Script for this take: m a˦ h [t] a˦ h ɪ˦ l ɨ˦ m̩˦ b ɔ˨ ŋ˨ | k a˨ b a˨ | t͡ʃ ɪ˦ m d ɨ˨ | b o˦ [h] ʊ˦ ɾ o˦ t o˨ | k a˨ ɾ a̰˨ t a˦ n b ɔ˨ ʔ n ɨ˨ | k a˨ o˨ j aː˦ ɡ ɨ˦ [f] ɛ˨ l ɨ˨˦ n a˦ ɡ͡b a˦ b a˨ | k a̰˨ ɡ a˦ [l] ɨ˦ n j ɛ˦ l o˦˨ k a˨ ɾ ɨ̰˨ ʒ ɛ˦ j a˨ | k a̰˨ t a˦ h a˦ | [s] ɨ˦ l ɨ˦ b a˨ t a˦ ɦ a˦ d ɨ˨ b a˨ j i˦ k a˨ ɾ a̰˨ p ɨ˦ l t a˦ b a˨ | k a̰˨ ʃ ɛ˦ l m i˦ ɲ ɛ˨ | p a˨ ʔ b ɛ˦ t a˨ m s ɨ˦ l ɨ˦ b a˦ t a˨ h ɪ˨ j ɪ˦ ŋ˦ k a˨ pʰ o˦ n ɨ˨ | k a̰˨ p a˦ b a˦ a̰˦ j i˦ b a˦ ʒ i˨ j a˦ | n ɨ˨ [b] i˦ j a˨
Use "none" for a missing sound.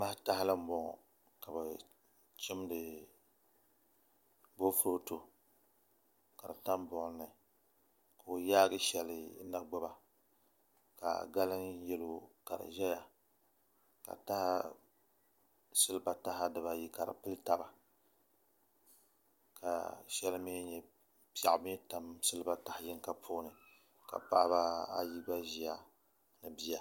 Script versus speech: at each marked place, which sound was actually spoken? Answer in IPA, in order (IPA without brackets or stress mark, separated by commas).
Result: t, f, ʃ, l, s, b